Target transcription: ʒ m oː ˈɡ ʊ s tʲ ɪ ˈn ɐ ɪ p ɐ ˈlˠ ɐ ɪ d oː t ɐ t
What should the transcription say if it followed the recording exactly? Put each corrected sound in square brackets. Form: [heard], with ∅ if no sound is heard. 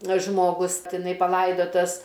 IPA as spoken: ʒ m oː ˈɡ ʊ s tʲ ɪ ˈn ɐ ɪ p ɐ ˈlˠ ɐ ɪ d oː t ɐ [s]